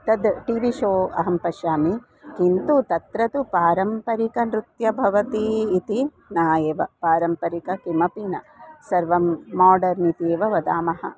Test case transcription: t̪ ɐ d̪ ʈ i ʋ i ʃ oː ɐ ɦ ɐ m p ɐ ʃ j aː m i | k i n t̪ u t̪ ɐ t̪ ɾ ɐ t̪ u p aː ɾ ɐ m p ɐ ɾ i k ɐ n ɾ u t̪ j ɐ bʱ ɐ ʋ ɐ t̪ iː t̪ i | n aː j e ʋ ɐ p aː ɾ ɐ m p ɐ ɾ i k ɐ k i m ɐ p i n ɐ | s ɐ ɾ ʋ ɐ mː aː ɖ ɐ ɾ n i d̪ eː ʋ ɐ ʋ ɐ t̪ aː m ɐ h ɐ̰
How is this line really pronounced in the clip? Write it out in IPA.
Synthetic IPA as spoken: t̪ ɐ d̪ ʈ i ʋ i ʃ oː ɐ ɦ ɐ m p ɐ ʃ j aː m i | k i n t̪ u t̪ ɐ t̪ ɾ ɐ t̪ u p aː ɾ ɐ m p ɐ ɾ i k ɐ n ɾ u t̪ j ɐ bʱ ɐ ʋ ɐ t̪ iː t̪ i | n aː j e ʋ ɐ p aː ɾ ɐ m p ɐ ɾ i k ɐ k i m ɐ p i n ɐ | s ɐ ɾ ʋ ɐ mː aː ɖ ɐ ɾ n i t̪ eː ʋ ɐ ʋ ɐ d̪ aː m ɐ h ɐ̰

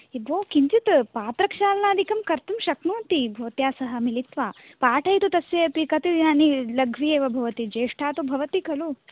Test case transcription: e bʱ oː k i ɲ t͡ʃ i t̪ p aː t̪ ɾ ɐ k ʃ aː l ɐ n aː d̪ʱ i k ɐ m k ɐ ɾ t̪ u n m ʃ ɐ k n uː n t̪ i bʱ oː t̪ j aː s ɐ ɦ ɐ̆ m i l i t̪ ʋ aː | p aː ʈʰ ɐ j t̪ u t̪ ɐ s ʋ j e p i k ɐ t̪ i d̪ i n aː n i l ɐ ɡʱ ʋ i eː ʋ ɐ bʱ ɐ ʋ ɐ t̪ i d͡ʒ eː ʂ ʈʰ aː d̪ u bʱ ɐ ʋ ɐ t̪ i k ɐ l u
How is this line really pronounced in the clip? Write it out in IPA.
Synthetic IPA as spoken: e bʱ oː k i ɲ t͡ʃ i t̪ p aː t̪ ɾ ɐ k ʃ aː l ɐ n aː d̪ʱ i k ɐ m k ɐ ɾ t̪ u m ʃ ɐ k n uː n t̪ i bʱ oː t̪ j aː s ɐ ɦ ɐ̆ m i l i t̪ ʋ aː | p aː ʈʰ ɐ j t̪ u t̪ ɐ s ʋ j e p i k ɐ t̪ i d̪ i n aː n i l ɐ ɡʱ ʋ i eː ʋ ɐ bʱ ɐ ʋ ɐ t̪ i d͡ʒ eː ʂ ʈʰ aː t̪ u bʱ ɐ ʋ ɐ t̪ i k ɐ l u

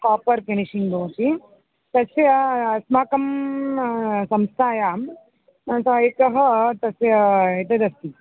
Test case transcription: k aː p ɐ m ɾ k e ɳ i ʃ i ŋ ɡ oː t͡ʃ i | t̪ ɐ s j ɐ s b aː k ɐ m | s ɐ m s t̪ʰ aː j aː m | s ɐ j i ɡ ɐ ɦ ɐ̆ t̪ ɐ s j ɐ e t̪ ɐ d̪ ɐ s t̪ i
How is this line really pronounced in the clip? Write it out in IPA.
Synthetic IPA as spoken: k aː p ɐ ɾ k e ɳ i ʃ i ŋ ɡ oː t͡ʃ i | t̪ ɐ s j ɐ s m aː k ɐ m | s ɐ m s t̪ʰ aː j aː m | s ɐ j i k ɐ ɦ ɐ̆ t̪ ɐ s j ɐ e t̪ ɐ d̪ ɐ s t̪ i

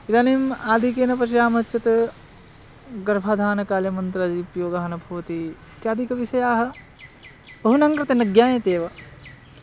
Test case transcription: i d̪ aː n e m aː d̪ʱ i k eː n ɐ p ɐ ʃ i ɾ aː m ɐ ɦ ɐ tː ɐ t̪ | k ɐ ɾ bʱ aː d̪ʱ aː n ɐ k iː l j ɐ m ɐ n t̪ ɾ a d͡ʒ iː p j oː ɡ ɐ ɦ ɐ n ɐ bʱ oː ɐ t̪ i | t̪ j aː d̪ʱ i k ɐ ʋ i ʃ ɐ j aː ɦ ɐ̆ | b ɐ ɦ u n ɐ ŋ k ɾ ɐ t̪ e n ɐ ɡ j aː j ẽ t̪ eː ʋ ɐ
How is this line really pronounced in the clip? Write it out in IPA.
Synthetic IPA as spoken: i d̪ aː n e m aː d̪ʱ i k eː n ɐ p ɐ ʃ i ɾ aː m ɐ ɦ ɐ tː ɐ t̪ | ɡ ɐ ɾ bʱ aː d̪ʱ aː n ɐ k aː l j ɐ m ɐ n t̪ ɾ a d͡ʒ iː p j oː ɡ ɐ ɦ ɐ n ɐ bʱ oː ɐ t̪ i | t̪ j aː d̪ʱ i k ɐ ʋ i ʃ ɐ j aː ɦ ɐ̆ | b ɐ ɦ u n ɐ ŋ k ɾ ɐ t̪ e n ɐ ɡ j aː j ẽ t̪ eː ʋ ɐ

